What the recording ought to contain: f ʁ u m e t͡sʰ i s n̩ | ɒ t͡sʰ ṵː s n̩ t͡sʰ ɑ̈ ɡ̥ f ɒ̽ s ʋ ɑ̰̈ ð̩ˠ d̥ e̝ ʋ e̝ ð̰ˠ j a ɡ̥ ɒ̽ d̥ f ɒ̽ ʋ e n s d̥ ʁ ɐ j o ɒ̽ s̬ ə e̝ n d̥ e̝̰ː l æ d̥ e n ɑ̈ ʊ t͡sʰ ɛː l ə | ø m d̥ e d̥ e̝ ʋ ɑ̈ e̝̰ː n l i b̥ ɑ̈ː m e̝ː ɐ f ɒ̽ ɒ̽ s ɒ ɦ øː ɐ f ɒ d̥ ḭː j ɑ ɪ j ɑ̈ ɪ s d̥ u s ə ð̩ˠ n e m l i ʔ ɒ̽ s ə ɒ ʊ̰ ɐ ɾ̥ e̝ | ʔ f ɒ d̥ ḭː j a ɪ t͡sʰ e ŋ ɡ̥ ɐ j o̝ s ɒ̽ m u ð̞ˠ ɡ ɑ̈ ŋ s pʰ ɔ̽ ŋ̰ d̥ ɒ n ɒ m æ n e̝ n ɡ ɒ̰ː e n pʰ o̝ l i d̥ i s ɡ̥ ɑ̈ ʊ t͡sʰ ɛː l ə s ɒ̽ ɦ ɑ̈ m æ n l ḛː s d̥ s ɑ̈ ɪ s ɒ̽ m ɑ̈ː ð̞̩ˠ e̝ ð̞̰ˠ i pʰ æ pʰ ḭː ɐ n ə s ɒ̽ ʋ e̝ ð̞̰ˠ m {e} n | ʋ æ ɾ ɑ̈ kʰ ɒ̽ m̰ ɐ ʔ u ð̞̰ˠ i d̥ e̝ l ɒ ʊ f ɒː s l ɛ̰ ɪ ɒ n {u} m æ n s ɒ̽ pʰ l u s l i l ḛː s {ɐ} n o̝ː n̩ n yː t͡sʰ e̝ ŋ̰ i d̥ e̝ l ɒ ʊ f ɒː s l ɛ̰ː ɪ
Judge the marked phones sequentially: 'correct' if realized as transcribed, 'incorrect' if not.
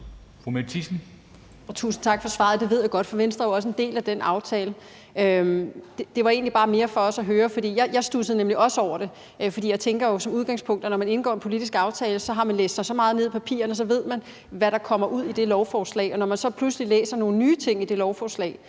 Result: incorrect, incorrect, correct

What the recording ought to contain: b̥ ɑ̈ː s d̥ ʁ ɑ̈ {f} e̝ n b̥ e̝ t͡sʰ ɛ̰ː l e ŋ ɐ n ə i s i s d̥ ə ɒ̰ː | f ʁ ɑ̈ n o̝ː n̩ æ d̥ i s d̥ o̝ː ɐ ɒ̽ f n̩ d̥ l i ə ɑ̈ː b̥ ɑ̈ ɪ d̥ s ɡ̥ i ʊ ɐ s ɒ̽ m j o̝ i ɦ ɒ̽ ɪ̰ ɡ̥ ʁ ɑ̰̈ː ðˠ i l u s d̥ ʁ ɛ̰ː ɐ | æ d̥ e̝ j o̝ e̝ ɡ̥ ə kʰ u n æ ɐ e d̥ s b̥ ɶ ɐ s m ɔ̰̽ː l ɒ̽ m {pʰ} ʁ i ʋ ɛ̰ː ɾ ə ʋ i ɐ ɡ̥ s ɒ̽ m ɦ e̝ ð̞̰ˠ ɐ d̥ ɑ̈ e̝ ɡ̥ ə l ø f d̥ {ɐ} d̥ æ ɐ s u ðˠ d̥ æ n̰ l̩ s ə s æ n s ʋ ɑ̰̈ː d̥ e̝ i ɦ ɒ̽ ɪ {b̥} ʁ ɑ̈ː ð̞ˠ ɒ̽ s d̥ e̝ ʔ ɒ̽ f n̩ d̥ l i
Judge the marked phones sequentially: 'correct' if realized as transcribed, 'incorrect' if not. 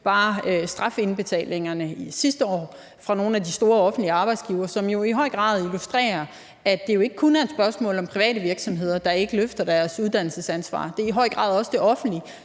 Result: correct, correct, correct, incorrect

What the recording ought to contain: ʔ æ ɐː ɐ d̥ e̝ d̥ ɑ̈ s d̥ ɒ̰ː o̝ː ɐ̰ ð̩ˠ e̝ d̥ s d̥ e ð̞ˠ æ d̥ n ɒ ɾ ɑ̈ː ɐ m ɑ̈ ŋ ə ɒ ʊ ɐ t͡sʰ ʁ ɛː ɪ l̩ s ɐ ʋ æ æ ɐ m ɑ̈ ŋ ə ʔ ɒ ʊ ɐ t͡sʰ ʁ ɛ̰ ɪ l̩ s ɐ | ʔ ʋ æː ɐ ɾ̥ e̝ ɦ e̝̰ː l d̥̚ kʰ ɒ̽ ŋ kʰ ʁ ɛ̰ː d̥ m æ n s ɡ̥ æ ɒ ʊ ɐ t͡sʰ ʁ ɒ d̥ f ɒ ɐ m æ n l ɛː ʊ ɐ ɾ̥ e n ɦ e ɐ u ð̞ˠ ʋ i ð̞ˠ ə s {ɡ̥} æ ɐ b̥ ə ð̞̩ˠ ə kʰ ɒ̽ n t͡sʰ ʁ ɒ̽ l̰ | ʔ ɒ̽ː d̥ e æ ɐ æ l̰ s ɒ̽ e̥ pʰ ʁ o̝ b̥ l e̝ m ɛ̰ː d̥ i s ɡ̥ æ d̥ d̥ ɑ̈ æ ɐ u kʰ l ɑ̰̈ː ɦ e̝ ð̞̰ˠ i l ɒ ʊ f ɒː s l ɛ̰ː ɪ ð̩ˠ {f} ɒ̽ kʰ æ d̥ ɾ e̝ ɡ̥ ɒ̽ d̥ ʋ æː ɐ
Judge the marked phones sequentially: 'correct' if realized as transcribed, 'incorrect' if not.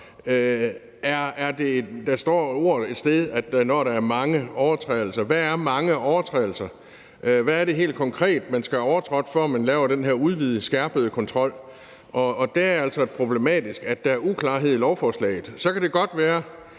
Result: correct, incorrect

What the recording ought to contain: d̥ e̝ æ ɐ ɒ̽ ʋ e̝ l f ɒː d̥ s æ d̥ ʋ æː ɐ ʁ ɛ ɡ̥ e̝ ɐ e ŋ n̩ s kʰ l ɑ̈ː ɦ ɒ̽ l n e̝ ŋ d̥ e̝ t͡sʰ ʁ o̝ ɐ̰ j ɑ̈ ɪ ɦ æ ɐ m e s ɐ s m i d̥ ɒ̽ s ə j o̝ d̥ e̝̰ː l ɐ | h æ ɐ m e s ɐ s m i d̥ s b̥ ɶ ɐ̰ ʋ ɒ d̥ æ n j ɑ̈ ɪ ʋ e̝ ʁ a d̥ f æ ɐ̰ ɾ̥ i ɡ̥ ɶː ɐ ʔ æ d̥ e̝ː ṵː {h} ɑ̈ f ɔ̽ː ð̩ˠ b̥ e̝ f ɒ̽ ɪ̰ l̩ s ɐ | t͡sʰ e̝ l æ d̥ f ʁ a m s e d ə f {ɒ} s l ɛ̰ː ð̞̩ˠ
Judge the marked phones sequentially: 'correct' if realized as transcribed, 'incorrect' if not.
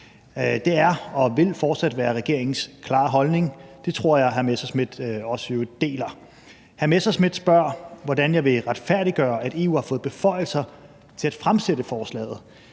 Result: correct, incorrect

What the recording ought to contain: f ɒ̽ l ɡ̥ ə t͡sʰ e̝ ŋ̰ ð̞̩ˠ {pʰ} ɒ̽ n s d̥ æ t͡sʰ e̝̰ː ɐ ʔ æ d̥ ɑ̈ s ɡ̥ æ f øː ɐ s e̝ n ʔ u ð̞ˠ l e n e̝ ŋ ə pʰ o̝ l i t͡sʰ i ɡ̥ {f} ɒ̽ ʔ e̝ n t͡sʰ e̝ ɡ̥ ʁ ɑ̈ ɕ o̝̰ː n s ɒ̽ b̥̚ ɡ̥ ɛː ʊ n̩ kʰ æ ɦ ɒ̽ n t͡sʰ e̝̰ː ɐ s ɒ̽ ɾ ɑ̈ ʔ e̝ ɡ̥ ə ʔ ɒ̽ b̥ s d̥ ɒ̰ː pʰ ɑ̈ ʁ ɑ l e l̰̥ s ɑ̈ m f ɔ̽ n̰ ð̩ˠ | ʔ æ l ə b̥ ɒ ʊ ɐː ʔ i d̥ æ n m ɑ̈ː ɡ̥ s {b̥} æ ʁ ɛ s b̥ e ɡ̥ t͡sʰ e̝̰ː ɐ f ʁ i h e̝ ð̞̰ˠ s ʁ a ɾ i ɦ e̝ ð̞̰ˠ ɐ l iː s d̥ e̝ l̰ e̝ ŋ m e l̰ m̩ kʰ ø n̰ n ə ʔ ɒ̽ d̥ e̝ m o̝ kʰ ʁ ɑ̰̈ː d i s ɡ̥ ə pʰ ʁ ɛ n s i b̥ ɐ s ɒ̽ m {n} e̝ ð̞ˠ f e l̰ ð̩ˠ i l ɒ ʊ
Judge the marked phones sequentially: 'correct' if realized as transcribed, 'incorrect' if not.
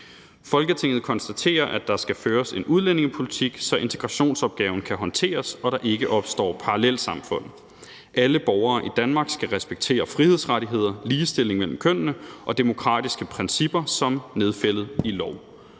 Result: incorrect, incorrect, incorrect, correct

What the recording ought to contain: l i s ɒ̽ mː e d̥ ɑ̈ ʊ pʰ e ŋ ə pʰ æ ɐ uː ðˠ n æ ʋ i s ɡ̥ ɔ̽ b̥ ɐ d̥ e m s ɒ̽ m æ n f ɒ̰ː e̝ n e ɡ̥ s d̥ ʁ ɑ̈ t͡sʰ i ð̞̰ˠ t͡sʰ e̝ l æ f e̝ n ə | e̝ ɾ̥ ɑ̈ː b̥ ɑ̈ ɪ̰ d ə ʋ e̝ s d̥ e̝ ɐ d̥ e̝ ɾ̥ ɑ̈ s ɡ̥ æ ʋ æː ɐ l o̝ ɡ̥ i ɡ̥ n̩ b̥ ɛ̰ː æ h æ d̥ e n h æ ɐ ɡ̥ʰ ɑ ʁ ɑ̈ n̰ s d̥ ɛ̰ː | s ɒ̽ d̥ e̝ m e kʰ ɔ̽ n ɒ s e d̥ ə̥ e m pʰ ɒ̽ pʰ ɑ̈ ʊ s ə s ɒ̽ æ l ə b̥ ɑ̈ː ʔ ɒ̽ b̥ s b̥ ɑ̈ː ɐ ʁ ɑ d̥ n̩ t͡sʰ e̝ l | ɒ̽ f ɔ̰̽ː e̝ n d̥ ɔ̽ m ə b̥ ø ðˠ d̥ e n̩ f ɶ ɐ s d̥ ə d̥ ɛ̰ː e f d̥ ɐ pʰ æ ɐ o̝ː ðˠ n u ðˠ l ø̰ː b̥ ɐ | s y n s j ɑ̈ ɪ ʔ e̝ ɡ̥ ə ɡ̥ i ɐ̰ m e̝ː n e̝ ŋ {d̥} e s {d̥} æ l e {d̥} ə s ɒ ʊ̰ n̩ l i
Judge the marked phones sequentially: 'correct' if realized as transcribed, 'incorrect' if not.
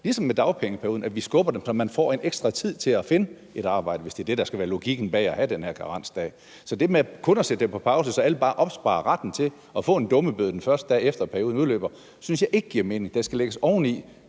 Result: correct, incorrect, incorrect

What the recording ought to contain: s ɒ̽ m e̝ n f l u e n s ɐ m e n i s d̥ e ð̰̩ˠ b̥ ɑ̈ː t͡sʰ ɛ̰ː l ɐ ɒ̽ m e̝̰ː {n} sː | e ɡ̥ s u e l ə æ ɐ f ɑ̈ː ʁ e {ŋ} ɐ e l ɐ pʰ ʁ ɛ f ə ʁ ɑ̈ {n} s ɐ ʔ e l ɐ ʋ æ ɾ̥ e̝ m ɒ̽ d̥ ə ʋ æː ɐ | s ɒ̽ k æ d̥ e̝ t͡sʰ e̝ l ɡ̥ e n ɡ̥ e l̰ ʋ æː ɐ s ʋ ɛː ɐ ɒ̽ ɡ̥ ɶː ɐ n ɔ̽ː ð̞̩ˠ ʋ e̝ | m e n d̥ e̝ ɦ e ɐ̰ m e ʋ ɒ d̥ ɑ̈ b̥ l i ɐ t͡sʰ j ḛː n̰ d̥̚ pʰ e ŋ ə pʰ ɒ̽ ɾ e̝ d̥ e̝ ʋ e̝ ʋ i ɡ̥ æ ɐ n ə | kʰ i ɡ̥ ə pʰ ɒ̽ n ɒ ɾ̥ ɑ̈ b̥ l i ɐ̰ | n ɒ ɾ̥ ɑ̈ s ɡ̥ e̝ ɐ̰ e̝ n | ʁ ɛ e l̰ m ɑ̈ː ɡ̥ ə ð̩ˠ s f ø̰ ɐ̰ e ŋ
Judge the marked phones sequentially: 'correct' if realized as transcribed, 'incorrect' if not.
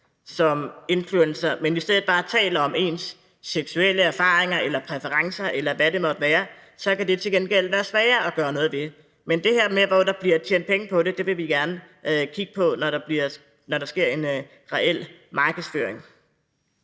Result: correct, correct, incorrect

